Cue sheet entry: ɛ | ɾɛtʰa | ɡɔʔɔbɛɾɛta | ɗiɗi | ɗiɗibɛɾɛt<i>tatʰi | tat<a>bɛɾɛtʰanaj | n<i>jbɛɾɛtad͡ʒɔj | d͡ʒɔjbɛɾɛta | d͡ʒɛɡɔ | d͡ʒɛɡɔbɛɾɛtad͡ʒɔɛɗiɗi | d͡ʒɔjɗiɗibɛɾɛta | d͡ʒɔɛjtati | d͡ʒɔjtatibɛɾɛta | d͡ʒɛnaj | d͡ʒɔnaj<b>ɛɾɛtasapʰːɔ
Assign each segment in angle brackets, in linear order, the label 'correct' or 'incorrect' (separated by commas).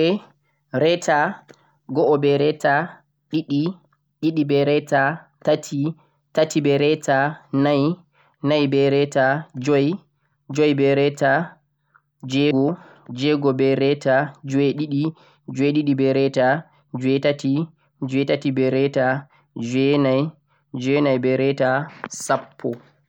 incorrect, incorrect, incorrect, correct